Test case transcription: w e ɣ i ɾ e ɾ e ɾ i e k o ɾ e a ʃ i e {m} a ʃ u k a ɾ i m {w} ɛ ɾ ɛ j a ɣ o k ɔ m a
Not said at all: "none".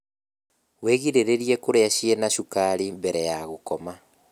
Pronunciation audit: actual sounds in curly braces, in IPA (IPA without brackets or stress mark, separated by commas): n, b